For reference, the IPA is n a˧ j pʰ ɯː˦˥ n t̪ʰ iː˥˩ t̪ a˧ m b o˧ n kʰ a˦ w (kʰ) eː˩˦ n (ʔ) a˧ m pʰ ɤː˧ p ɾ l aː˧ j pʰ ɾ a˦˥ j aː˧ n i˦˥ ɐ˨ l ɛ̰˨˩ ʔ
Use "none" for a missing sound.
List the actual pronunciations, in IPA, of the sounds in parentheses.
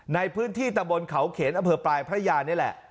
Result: kʰ, ʔ

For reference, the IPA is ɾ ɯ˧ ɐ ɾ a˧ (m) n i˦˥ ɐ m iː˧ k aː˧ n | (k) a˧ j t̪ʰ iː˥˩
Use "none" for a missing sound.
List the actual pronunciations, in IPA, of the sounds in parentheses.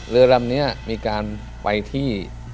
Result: m, p

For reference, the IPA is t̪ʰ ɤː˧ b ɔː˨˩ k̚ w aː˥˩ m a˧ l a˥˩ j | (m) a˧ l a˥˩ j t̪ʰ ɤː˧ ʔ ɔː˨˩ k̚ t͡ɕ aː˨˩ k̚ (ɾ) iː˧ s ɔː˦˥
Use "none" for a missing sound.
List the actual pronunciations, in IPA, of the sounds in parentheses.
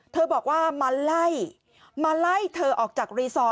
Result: m, ɾ

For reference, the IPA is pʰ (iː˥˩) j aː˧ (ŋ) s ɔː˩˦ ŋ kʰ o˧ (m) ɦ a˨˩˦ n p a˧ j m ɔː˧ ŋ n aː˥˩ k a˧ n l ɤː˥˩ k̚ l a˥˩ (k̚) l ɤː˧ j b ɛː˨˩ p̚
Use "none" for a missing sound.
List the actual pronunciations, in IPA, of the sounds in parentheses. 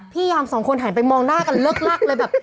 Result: iː˥˩, m, n, k̚

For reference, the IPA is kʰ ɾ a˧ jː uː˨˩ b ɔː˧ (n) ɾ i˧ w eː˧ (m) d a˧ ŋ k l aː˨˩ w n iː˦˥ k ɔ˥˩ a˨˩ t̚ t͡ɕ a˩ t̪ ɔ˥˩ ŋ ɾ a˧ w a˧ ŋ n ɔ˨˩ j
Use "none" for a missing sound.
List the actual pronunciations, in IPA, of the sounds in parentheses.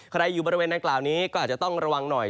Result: none, n

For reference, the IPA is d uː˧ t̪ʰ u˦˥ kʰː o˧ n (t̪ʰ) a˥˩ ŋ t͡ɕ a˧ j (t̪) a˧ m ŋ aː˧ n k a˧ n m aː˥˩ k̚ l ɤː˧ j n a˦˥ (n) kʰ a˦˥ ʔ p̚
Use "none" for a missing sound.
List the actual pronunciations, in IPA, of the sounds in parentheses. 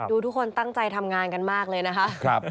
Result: t̪, t̪ʰ, none

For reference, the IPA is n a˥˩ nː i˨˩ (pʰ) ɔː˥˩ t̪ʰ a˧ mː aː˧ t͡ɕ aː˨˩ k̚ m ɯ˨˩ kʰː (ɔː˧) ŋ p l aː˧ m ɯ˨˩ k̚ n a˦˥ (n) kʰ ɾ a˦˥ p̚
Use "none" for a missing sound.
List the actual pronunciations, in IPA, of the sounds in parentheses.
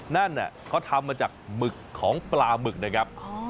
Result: kʰ, ɔː˩˦, none

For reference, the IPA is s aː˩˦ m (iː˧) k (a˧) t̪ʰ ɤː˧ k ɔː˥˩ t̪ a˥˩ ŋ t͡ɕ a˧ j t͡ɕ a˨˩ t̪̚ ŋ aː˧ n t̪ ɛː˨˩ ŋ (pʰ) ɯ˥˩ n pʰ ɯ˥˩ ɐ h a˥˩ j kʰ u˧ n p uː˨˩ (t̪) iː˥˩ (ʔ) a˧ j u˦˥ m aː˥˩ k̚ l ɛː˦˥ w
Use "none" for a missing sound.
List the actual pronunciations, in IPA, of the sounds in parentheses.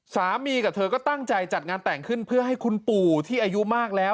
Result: iː˧, a˨˩, kʰ, t̪ʰ, ʔ

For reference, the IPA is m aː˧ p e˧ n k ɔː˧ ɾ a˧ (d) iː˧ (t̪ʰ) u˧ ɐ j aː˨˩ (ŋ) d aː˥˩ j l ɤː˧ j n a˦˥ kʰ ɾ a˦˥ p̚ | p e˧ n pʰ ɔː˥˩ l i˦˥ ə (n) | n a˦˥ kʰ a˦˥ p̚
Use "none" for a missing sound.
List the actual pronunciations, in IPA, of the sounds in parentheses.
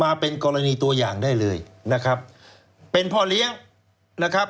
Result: n, t̪, ŋ, ŋ

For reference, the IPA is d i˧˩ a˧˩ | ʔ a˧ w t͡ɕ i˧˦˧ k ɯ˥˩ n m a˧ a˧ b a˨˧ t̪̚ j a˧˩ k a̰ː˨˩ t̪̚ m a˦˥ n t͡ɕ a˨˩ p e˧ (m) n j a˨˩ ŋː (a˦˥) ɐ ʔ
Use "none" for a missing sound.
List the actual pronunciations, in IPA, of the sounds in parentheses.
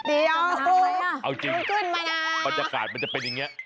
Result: none, i˦˥

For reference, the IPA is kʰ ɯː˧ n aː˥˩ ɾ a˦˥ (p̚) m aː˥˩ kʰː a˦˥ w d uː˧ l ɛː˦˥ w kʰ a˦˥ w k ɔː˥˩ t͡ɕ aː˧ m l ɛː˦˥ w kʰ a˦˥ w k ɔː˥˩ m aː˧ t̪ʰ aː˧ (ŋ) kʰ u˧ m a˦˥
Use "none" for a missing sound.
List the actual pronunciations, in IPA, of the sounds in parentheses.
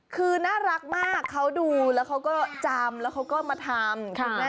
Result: k̚, m

